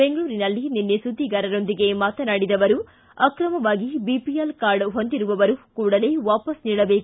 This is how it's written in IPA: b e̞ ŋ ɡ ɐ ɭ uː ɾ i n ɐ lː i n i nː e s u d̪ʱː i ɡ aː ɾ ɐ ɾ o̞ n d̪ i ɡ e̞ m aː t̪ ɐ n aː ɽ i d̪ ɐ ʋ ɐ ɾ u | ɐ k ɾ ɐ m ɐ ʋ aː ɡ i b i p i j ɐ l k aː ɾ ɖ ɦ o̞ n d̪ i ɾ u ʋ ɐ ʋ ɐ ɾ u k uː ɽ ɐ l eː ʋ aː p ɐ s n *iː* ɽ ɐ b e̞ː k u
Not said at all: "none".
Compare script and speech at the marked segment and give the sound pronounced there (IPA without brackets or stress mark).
iː